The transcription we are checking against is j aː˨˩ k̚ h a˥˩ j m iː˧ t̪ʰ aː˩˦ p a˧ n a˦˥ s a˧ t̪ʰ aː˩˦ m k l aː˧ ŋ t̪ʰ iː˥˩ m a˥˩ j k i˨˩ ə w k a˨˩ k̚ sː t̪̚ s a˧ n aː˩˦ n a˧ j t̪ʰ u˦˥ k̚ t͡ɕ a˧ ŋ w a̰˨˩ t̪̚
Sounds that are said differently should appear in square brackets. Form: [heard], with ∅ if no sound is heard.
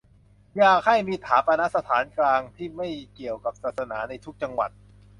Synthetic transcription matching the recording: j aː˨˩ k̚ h a˥˩ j m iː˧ t̪ʰ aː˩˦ p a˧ n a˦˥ s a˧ t̪ʰ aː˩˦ [n] k l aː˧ ŋ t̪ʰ iː˥˩ m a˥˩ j k i˨˩ ə w k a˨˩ [p̚] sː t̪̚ s a˧ n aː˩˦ n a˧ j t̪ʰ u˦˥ k̚ t͡ɕ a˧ ŋ w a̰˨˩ t̪̚

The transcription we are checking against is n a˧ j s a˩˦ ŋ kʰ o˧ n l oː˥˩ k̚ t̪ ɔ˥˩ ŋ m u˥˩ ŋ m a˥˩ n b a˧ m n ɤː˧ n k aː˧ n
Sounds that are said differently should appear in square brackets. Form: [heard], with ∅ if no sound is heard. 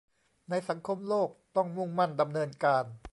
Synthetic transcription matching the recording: n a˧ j s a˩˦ ŋ kʰ o˧ [m] l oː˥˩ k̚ t̪ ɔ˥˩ ŋ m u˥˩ ŋ m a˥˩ n [d] a˧ m n ɤː˧ n k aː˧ n

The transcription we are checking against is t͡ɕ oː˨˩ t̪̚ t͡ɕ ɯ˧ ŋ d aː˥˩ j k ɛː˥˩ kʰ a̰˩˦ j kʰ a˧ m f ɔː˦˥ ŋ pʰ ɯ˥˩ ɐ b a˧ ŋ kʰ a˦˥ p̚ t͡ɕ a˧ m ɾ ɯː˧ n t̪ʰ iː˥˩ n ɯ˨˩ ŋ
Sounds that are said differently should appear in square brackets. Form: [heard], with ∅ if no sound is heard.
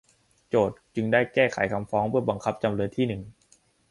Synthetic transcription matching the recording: t͡ɕ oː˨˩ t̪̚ t͡ɕ ɯ˧ ŋ d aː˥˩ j k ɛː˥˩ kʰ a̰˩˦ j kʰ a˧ m f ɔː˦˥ ŋ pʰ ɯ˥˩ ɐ b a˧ ŋ kʰ a˦˥ p̚ t͡ɕ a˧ m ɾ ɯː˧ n t̪ʰ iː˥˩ n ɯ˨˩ ŋ

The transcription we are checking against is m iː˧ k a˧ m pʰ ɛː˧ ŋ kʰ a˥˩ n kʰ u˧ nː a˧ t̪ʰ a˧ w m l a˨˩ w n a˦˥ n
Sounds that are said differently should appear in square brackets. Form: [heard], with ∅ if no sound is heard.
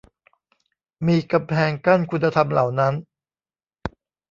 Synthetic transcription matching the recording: m iː˧ k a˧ m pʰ ɛː˧ ŋ [k] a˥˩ n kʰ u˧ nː a˧ t̪ʰ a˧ [∅] m l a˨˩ w n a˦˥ n

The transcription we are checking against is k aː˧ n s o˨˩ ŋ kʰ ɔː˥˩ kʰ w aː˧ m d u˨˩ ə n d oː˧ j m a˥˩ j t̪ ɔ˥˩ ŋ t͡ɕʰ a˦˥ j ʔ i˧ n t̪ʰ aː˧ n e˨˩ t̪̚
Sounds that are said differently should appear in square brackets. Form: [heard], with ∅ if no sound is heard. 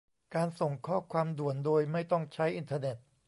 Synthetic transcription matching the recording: k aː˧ n s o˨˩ ŋ kʰ ɔː˥˩ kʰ w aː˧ m d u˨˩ ə n d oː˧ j m a˥˩ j t̪ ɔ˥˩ ŋ t͡ɕʰ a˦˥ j ʔ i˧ n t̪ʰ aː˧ n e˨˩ t̪̚

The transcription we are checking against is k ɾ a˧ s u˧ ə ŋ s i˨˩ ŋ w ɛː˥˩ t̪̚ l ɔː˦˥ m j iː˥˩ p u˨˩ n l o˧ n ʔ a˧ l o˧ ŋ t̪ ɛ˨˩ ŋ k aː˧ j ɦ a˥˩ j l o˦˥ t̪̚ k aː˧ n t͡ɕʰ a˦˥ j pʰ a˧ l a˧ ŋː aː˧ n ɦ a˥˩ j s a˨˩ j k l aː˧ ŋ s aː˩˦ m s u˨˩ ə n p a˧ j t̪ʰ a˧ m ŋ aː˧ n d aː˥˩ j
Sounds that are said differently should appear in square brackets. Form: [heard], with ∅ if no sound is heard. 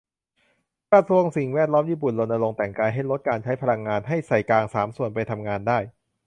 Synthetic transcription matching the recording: k ɾ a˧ s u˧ ə ŋ s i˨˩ ŋ w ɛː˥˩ t̪̚ l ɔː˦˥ m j iː˥˩ p u˨˩ n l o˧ n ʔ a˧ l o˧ ŋ t̪ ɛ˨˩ ŋ k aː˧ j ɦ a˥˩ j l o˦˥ t̪̚ k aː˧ n t͡ɕʰ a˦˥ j pʰ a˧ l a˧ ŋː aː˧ n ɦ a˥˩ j s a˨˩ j k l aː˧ ŋ s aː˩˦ m s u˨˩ ə n p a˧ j t̪ʰ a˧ m ŋ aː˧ n d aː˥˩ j

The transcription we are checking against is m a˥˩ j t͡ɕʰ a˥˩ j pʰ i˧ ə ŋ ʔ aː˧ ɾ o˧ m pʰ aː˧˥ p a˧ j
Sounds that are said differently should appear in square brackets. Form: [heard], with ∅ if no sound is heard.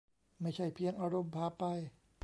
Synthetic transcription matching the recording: m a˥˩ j t͡ɕʰ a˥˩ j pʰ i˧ ə ŋ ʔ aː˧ ɾ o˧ m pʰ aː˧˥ p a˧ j

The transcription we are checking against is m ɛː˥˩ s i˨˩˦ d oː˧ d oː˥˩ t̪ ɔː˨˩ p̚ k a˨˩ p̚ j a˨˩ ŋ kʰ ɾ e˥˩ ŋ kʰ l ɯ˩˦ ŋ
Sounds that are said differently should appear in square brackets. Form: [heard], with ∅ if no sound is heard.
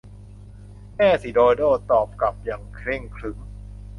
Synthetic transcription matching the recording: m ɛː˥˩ s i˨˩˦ d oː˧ d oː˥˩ t̪ ɔː˨˩ p̚ k a˨˩ p̚ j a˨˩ ŋ kʰ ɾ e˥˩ ŋ kʰ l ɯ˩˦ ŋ

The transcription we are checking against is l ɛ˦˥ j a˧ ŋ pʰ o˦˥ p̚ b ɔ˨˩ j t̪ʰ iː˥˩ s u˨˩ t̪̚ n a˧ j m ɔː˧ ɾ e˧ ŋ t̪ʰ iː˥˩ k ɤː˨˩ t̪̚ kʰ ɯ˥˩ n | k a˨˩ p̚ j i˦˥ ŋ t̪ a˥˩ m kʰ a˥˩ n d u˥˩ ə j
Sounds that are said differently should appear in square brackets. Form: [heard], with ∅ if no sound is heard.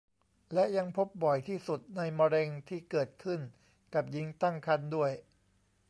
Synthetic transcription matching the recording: l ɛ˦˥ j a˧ ŋ pʰ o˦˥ p̚ b ɔ˨˩ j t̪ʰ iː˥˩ s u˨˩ t̪̚ n a˧ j m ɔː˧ ɾ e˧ ŋ t̪ʰ iː˥˩ k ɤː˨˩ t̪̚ kʰ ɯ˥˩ n | k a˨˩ p̚ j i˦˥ ŋ t̪ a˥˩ [ŋ] kʰ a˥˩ n d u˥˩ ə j

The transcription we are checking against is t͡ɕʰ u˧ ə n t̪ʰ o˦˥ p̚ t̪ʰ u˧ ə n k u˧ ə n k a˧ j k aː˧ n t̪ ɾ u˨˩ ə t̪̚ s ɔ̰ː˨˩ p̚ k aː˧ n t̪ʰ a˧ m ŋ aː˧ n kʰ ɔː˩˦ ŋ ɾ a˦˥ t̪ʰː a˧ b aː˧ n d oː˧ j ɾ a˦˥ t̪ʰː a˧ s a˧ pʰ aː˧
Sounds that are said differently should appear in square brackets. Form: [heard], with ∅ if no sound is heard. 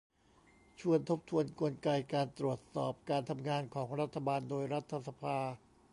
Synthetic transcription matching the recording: t͡ɕʰ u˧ ə n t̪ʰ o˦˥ p̚ t̪ʰ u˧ ə n k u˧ ə n k a˧ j k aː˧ n t̪ ɾ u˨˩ ə t̪̚ s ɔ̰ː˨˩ p̚ k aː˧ n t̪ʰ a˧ m ŋ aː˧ n kʰ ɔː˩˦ ŋ ɾ a˦˥ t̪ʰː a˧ b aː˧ n d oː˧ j ɾ a˦˥ t̪ʰː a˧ s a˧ pʰ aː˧

